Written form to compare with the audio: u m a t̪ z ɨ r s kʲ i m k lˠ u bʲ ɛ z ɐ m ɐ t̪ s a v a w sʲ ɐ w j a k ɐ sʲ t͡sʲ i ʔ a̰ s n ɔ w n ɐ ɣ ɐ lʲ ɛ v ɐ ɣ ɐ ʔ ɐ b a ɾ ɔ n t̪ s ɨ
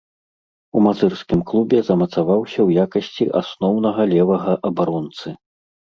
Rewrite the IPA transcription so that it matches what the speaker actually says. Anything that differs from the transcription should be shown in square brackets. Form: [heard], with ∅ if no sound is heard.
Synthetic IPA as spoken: u m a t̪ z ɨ r s kʲ i m k lˠ u bʲ ɛ z ɐ m ɐ t̪ s a v a w sʲ ɐ w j a k ɐ sʲ t͡sʲ i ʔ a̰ s n ɔ w n ɐ ɣ ɐ lʲ ɛ v ɐ ɣ ɐ ʔ ɐ b a ɾ ɔ n t̪ s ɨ